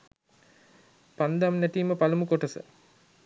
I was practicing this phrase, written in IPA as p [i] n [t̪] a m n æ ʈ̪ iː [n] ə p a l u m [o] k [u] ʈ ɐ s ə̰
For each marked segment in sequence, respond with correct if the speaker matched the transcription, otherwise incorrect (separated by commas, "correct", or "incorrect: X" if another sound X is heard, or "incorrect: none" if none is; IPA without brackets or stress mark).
incorrect: a, incorrect: d̪, incorrect: m, incorrect: u, incorrect: o